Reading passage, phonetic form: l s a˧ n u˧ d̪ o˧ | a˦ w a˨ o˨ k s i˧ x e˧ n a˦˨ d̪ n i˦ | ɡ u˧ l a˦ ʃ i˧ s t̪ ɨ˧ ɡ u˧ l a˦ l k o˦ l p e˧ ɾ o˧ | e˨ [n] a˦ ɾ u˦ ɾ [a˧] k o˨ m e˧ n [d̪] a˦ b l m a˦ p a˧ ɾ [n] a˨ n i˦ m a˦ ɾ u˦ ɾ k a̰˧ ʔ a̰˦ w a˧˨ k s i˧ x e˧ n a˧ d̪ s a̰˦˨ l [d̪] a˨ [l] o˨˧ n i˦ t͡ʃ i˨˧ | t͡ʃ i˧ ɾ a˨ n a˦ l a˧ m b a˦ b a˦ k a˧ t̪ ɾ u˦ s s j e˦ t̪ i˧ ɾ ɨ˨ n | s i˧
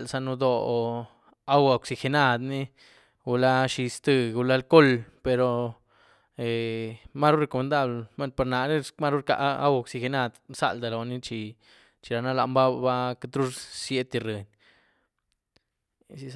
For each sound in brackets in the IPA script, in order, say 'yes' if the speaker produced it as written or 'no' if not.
no, no, yes, yes, yes, yes

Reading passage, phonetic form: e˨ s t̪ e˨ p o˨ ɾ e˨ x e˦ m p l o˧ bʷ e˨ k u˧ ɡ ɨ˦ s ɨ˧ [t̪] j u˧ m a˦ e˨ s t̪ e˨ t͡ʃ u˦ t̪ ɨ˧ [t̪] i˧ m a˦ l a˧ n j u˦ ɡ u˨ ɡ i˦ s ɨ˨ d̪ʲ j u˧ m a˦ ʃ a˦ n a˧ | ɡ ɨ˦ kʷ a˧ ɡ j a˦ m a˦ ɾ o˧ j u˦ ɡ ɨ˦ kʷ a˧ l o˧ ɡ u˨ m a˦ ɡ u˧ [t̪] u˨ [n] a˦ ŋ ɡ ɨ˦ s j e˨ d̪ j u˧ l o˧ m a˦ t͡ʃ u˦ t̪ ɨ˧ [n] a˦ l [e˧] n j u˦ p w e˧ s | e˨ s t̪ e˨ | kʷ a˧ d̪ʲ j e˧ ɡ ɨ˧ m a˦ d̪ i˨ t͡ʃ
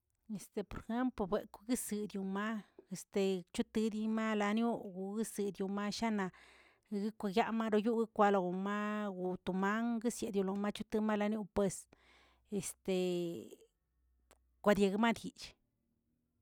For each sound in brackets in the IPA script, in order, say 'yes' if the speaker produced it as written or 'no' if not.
no, no, yes, no, no, no

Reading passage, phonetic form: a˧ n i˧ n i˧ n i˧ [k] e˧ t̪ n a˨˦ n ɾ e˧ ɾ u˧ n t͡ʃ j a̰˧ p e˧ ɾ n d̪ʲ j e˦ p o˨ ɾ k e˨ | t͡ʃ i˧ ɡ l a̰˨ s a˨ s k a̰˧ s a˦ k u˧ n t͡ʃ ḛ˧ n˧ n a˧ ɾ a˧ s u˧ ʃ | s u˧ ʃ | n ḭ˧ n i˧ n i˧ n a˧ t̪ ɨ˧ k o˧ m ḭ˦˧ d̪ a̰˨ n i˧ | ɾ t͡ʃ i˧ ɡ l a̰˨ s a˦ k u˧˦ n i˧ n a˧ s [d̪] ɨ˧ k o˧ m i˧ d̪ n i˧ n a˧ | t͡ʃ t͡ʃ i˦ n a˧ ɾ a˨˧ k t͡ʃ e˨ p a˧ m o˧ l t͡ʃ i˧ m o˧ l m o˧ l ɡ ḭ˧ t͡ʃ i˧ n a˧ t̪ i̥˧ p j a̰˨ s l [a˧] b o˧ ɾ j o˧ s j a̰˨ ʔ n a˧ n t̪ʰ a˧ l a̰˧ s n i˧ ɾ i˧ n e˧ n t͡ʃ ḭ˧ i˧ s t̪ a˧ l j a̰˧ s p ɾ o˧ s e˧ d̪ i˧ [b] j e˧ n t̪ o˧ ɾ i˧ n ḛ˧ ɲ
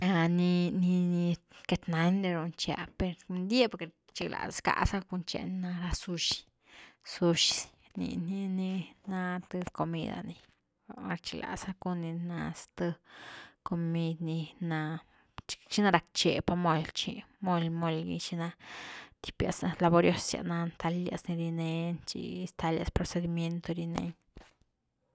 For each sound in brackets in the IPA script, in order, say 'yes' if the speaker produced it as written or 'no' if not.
yes, no, yes, no

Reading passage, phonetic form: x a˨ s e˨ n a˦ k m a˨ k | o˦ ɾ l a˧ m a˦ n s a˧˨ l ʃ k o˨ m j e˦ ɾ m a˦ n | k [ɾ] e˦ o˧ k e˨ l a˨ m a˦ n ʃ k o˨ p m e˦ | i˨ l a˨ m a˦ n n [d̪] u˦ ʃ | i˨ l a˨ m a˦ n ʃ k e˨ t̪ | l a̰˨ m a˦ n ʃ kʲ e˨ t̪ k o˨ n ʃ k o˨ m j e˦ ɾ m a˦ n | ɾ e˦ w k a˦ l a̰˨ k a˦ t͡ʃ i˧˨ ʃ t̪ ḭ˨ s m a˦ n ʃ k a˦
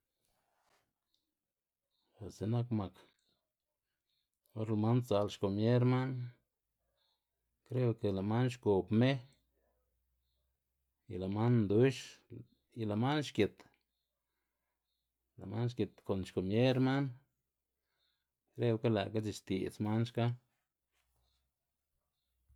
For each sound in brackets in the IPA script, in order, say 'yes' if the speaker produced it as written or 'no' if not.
yes, yes

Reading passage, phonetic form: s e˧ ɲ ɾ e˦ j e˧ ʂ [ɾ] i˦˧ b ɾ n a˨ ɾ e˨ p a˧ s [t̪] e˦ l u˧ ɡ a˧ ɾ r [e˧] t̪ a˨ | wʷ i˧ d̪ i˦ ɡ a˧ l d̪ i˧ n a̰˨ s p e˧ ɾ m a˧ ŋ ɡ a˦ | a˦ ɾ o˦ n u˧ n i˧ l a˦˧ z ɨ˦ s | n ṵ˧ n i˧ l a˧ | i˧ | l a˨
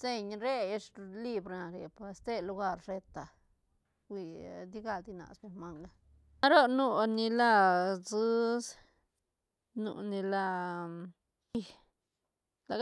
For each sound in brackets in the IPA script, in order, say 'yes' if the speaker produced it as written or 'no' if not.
no, yes, yes

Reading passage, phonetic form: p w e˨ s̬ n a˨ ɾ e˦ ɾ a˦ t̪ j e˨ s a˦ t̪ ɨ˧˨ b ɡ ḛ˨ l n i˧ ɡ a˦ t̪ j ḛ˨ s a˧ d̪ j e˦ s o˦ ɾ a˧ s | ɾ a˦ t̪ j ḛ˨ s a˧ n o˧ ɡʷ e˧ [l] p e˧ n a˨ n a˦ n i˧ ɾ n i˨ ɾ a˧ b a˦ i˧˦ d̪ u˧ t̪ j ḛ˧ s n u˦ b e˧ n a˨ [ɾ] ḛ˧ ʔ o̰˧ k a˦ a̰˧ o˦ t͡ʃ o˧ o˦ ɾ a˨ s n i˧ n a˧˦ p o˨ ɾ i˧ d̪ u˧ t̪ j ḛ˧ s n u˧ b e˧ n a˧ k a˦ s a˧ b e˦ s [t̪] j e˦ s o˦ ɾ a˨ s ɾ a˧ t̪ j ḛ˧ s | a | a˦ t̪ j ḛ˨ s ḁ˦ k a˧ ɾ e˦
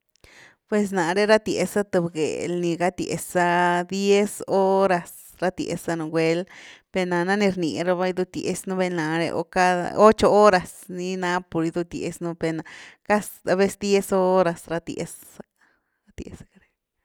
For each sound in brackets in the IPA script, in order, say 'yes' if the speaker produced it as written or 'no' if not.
yes, yes, no

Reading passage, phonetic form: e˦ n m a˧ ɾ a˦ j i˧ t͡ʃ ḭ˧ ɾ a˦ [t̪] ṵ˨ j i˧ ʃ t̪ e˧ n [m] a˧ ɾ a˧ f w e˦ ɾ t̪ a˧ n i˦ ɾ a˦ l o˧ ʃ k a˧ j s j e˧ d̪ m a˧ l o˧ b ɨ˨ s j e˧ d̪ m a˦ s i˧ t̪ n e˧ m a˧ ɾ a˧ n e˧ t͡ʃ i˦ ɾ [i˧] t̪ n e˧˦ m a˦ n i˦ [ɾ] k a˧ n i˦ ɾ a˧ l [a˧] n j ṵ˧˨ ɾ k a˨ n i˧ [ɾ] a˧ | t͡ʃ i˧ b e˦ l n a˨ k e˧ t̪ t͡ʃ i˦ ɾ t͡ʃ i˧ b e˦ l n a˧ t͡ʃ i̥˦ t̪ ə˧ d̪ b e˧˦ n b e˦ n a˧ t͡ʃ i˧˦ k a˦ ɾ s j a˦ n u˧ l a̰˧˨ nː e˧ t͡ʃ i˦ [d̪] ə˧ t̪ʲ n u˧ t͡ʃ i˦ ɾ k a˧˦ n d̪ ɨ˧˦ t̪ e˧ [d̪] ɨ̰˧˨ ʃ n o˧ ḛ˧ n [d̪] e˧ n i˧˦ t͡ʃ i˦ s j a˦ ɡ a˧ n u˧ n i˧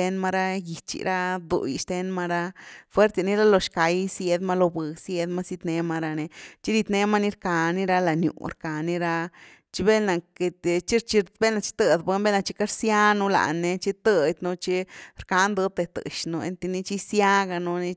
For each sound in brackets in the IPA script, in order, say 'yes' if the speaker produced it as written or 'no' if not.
no, yes, yes, yes, yes, yes, no, no, no

